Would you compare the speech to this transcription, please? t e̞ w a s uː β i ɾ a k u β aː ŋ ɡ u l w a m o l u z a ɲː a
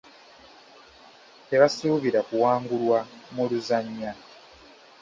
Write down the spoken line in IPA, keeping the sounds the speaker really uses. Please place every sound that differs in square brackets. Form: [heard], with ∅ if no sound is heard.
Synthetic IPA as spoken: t e̞ [β] a s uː β i ɾ a k u [w] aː ŋ ɡ u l w a m [u] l u z a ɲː a

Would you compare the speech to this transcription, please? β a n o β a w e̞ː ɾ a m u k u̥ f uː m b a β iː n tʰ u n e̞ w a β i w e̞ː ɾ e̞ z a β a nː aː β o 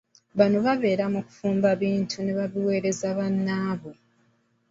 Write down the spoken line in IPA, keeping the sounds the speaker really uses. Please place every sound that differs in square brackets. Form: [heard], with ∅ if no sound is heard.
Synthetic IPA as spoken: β a n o β a [β] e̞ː ɾ a m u k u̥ f uː m b a β iː n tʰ u n e̞ [β] a β i w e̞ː ɾ e̞ z a β a nː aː β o

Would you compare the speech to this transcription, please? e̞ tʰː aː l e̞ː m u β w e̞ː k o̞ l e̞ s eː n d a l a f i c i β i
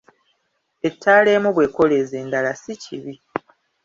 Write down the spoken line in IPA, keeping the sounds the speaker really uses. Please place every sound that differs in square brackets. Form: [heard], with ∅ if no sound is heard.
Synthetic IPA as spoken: e̞ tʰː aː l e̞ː m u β w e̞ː k o̞ l e̞ [z] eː n d a l a [s] i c i β i

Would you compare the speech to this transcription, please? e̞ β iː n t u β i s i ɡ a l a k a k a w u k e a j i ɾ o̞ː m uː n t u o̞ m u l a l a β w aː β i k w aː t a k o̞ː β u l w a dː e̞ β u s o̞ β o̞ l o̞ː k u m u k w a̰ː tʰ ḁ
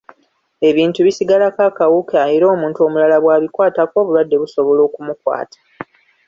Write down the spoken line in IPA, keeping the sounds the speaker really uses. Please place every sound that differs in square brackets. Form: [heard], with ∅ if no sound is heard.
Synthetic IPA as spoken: e̞ β iː n t u β i s i ɡ a l a k a k a w u k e a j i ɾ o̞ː m uː n t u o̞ m u l a l a β w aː β i k w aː t a k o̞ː β u l w a dː e̞ β u s o̞ β o̞ l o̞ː k u m u k w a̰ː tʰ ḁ

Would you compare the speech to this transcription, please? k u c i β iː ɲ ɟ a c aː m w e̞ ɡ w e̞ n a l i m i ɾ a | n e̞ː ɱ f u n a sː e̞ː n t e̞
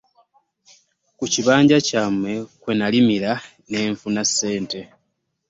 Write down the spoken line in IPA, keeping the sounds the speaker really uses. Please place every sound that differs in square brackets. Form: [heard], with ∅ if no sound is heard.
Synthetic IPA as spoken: k u c i β [aː] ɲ ɟ a c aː m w e̞ [k] w e̞ n a l i m i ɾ a | n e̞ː ɱ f u n a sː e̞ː n t e̞

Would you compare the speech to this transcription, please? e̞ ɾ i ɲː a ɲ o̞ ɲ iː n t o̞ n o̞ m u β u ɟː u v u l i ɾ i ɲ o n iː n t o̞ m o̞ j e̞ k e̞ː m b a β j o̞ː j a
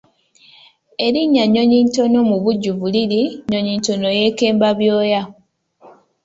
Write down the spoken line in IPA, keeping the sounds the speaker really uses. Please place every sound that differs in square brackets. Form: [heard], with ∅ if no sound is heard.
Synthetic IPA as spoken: e̞ ɾ i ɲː a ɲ o̞ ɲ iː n t o̞ n o̞ m u β u ɟː u v u l i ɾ i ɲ o [ɲ] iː n t o̞ [n] o̞ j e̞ k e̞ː m b a β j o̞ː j a

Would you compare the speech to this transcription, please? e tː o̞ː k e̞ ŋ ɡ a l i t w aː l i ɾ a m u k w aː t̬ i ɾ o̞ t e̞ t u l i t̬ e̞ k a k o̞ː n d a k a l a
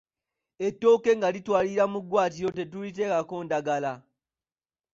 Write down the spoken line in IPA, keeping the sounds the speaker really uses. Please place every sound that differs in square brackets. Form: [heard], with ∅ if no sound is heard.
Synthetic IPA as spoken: e tː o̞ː k e̞ ŋ ɡ a l i t w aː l i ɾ a m u [ɡ] w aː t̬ i ɾ o̞ t e̞ t u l i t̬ e̞ k a k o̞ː n d a [ɡ] a l a

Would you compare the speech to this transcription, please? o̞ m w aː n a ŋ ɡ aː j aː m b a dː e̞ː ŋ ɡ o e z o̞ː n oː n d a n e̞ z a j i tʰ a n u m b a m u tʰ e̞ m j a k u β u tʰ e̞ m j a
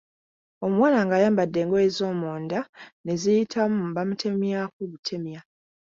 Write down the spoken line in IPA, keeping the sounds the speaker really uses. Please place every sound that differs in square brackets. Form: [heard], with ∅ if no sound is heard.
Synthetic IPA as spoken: o̞ m w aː n a ŋ ɡ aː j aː m b a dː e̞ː ŋ ɡ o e z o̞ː [m] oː n d a n e̞ z [i] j i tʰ a [m] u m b a m u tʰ e̞ m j a k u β u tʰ e̞ m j a

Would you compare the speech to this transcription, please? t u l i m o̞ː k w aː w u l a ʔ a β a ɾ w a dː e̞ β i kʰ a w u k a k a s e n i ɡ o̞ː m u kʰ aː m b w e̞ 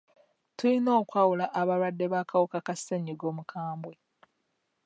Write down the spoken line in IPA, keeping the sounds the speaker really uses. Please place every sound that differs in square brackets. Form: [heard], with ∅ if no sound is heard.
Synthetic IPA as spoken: t u l i [n] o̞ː k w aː w u l a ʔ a β a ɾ w a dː e̞ β [a] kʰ a w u k a k a s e [ɲ] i ɡ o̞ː m u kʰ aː m b w e̞

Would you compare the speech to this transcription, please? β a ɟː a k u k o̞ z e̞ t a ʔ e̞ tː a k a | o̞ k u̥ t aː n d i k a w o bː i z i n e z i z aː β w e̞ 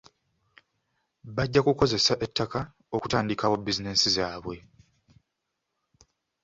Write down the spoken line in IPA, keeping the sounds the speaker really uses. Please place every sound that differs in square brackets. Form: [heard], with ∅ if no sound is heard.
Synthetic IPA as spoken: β a ɟː a k u k o̞ z e̞ [s] a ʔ e̞ tː a k a | o̞ k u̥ t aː n d i k a w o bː i z i n e [s] i z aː β w e̞

